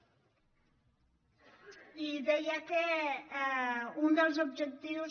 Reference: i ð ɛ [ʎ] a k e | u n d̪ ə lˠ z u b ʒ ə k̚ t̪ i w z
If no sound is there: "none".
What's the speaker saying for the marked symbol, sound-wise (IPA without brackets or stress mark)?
j